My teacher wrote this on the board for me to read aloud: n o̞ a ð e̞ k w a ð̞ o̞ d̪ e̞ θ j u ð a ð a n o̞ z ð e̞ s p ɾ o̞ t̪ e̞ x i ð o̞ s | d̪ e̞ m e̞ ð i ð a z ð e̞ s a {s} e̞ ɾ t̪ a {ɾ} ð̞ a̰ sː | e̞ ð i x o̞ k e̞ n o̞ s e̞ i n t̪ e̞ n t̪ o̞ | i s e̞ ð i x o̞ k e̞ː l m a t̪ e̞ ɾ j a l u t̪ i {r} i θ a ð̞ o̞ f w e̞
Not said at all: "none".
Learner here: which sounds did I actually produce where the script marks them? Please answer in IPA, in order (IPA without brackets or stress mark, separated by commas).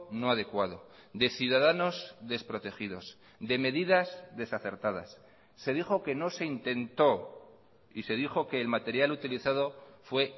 θ, none, l